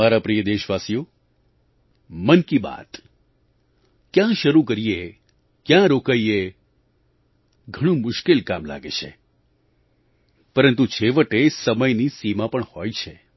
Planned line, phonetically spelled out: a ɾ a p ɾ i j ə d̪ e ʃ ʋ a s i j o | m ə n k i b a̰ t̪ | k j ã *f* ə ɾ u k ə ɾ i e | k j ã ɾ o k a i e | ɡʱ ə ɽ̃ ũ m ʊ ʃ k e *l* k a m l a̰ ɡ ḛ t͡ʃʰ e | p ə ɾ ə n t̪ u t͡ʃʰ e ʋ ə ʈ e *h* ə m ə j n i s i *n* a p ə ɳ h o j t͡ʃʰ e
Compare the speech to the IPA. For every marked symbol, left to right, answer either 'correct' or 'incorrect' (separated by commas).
incorrect, correct, incorrect, incorrect